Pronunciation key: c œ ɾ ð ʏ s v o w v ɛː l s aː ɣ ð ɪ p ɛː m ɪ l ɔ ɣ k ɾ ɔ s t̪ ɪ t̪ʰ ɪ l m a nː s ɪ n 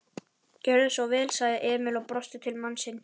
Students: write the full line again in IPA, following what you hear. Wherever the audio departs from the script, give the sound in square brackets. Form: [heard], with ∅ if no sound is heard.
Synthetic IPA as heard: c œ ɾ ð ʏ s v [ɔ] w v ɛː l s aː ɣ ð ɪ [ʔ] ɛː m ɪ l ɔ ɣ [p] ɾ ɔ s t̪ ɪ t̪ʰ ɪ l m a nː s ɪ n